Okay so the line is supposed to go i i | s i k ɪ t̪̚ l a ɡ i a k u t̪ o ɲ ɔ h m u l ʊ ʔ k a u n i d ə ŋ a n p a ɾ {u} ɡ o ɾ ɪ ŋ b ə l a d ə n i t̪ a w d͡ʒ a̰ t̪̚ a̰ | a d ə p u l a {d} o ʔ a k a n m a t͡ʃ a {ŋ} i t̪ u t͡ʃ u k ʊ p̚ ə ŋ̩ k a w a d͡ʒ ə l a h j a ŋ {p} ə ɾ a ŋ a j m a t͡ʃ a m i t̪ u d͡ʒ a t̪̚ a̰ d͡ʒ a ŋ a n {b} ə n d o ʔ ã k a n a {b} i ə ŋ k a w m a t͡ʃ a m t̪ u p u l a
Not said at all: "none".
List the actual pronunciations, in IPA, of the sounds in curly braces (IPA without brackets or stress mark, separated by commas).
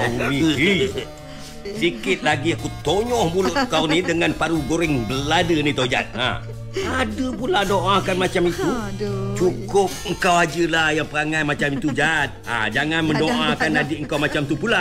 u, d, m, p, m, d